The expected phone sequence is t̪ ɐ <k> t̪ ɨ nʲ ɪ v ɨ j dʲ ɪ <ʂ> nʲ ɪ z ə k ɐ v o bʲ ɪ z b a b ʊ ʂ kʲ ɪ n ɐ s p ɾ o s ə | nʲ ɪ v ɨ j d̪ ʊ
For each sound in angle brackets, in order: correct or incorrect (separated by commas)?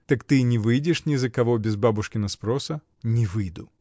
correct, correct